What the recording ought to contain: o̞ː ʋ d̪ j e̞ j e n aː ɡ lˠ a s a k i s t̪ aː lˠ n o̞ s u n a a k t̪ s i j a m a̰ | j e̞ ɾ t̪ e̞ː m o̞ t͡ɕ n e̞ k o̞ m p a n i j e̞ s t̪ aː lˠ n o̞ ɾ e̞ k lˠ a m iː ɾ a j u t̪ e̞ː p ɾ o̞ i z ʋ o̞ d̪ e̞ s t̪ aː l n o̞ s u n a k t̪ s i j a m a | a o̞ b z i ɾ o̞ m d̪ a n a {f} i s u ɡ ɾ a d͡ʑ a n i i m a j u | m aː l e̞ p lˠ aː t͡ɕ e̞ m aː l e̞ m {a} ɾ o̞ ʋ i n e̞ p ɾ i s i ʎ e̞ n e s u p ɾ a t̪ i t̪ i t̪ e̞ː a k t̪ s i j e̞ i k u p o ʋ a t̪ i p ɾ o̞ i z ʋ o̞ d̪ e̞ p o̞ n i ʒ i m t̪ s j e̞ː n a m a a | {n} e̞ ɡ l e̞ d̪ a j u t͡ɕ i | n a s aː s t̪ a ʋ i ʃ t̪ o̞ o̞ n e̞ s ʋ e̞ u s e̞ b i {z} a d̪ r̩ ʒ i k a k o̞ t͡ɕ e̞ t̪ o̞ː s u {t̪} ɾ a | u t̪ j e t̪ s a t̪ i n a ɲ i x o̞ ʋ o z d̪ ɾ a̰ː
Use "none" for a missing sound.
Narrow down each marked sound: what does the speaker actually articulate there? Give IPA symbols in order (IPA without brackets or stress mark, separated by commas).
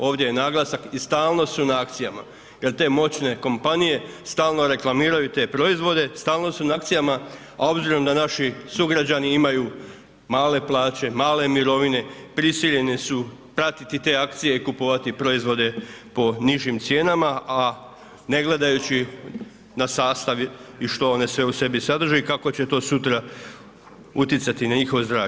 ʃ, i, n, s, t̪